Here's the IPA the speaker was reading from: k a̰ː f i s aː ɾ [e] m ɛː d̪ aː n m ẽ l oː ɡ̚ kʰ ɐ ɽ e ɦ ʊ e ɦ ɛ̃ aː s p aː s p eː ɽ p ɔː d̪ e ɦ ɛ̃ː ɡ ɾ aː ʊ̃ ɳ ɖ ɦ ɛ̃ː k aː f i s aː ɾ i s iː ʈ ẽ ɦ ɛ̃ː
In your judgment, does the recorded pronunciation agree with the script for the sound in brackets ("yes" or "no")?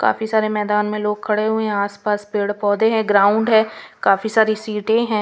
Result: yes